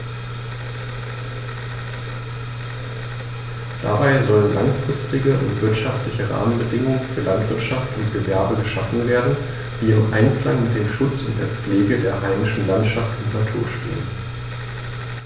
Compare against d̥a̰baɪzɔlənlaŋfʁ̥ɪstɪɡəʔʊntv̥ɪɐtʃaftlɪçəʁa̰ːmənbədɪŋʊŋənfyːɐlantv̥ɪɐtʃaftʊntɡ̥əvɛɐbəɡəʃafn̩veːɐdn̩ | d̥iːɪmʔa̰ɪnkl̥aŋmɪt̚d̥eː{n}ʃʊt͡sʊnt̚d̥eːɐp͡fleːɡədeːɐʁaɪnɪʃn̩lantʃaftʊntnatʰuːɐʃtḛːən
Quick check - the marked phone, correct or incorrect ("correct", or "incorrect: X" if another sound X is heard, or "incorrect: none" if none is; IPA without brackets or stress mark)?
incorrect: m